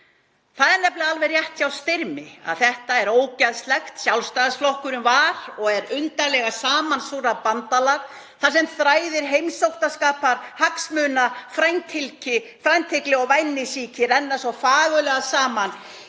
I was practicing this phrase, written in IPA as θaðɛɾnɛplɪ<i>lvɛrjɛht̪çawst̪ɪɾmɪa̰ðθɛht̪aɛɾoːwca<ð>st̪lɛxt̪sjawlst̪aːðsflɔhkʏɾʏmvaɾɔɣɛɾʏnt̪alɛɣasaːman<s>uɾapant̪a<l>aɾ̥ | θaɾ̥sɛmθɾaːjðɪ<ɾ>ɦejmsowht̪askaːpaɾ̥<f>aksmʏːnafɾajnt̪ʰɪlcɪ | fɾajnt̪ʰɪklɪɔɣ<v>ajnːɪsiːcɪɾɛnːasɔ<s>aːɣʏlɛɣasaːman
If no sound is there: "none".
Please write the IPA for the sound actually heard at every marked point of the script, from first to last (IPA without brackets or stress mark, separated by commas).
a, ð, s, l, ɾ, h, v, f